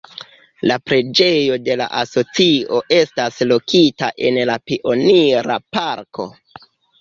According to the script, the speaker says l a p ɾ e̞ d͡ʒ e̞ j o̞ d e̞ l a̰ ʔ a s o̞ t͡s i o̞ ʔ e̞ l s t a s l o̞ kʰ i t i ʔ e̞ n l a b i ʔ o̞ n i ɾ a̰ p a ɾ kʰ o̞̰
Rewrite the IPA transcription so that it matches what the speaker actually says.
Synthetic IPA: l a p ɾ e̞ d͡ʒ e̞ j o̞ d e̞ l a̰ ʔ a s o̞ t͡s i o̞ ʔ e̞ s t a s l o̞ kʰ i t a ʔ e̞ n l a p i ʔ o̞ n i ɾ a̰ p a ɾ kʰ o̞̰